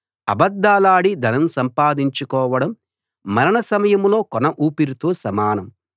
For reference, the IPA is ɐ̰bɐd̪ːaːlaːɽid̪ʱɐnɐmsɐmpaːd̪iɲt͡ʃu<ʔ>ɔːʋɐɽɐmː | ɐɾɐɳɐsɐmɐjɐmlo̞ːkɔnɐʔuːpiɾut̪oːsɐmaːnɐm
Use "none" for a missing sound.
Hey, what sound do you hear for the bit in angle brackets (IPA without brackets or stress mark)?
k